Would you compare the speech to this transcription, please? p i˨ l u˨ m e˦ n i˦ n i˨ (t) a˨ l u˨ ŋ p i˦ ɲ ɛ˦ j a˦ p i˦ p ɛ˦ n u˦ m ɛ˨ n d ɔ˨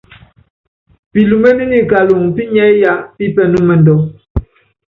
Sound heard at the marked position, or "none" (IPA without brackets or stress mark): k